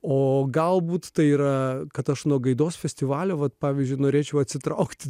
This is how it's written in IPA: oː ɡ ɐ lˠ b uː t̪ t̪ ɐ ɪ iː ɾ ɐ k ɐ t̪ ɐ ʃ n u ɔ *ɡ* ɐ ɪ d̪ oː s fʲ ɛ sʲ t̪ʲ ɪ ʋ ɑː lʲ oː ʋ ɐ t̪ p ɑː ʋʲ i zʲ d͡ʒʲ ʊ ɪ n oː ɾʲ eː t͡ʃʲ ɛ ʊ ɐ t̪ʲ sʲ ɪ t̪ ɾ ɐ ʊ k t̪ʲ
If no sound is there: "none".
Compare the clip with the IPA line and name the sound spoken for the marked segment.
ɡ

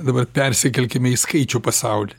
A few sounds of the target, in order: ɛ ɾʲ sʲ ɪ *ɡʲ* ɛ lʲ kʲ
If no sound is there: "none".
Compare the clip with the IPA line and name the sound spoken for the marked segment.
kʲ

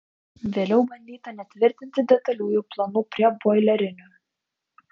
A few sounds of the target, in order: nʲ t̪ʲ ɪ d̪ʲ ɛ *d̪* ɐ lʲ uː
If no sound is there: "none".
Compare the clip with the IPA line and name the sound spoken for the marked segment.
t̪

